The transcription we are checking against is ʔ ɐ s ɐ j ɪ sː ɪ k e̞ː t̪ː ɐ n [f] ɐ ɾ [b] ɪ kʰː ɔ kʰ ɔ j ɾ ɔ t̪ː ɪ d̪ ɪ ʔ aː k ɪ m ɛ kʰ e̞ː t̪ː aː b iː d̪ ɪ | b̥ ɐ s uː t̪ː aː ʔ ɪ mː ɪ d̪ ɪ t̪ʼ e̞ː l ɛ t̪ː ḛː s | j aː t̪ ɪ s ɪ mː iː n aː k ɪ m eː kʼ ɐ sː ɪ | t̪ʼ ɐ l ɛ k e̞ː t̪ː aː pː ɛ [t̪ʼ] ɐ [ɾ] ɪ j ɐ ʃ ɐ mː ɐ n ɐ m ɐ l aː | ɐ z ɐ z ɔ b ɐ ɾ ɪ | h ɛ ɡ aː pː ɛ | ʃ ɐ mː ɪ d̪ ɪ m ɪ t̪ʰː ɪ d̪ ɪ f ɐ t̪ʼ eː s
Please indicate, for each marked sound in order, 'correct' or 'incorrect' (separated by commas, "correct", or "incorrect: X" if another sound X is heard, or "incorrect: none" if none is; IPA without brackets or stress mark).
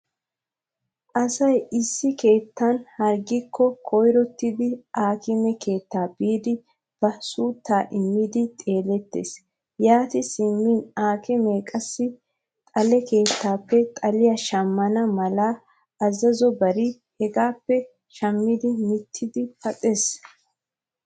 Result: incorrect: h, incorrect: ɡ, correct, incorrect: l